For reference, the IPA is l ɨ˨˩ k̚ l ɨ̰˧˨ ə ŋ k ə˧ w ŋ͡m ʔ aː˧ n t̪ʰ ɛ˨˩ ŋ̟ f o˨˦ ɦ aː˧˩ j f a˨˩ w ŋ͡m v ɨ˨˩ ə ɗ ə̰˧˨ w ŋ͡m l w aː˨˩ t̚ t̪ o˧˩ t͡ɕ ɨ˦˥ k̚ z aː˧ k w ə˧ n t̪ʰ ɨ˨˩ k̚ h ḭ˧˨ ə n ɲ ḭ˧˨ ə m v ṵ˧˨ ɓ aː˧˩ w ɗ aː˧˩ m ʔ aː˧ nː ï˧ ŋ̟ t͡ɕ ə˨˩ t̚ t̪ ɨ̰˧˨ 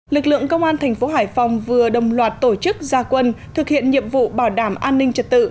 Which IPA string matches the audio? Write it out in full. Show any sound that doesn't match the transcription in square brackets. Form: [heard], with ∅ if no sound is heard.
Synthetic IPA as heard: l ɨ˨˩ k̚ l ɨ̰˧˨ ə ŋ k ə˧ w ŋ͡m ʔ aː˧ n t̪ʰ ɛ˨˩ ŋ̟ f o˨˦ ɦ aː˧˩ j f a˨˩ w ŋ͡m v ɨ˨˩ ə ɗ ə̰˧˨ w ŋ͡m l w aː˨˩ t̚ t̪ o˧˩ t͡ɕ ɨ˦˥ k̚ z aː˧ k w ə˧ n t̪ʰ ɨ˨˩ k̚ h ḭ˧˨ ə n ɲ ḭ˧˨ ə m v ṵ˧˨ ɓ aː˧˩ w ɗ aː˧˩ m ʔ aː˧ nː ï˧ ŋ̟ t͡ɕ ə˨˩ t̚ t̪ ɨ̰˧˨